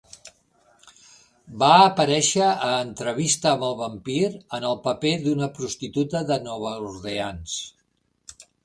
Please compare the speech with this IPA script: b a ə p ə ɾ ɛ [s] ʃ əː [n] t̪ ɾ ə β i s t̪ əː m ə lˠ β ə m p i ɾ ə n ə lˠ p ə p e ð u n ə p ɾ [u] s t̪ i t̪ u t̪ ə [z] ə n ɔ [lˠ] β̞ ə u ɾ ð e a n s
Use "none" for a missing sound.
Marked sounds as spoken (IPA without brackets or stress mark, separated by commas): none, n, u, ð, none